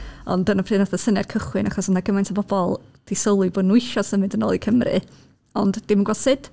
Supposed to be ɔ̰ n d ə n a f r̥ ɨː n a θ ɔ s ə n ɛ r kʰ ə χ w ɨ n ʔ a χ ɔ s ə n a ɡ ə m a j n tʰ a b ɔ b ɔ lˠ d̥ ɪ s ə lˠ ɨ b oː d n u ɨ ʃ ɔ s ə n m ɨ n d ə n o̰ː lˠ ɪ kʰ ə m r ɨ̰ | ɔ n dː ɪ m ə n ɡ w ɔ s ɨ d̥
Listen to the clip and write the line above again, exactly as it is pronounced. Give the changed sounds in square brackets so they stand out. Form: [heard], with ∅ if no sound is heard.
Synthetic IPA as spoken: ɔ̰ n d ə n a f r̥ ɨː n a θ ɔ s ə n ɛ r kʰ ə χ w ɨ n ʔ a χ ɔ s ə n a ɡ ə m a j n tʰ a b ɔ b ɔ lˠ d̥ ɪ s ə lˠ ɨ b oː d n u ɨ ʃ ɔ s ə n m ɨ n d ə n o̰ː lˠ [i] kʰ ə m r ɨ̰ | ɔ n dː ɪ m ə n ɡ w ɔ s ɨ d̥